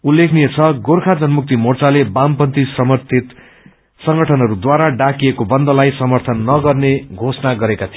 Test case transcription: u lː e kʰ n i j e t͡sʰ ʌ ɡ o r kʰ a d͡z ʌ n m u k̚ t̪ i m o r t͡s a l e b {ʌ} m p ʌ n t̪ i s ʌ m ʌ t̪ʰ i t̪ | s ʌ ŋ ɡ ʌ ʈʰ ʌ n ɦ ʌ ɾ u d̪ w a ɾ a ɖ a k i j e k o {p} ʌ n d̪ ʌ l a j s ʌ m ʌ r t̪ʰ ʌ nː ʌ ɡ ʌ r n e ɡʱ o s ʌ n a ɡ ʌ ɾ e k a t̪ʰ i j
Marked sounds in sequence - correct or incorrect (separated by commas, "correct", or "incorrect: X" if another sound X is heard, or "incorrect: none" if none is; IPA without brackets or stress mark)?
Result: incorrect: a, incorrect: b